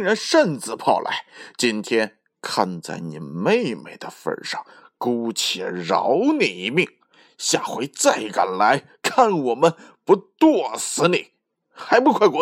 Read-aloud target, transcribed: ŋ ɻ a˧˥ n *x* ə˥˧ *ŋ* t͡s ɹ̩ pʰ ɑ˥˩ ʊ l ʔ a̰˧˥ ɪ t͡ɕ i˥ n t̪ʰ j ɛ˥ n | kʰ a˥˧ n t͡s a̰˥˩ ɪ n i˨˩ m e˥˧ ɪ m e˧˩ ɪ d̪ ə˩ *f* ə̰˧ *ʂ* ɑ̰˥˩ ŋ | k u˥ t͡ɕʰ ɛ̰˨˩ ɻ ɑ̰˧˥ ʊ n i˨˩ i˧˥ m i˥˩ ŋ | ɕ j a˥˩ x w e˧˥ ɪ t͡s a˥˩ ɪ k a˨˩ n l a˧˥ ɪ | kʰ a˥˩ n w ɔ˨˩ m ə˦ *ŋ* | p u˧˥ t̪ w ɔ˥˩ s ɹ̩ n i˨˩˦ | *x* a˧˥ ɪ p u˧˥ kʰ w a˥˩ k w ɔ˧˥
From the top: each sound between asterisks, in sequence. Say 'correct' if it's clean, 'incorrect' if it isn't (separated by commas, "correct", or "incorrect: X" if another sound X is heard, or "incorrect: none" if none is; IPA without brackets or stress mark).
incorrect: ʂ, incorrect: n, correct, correct, incorrect: n, correct